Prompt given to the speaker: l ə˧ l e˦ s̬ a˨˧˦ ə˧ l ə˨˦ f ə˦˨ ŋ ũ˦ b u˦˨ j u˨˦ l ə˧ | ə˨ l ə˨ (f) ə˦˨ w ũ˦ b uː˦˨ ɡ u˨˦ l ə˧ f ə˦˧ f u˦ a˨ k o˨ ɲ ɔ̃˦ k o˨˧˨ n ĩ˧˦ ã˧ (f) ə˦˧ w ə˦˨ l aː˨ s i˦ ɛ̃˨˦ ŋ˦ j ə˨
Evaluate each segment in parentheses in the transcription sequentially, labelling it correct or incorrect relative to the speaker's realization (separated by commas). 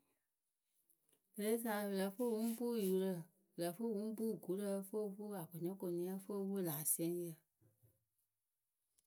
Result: correct, correct